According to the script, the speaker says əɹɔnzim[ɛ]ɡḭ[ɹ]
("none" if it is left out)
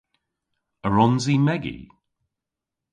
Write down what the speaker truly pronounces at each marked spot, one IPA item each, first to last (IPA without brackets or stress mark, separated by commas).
ɛ, none